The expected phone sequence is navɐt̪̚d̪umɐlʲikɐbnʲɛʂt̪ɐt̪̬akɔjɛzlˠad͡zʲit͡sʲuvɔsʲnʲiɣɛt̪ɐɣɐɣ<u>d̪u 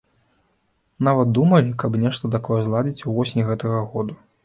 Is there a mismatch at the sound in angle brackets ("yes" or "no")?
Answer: yes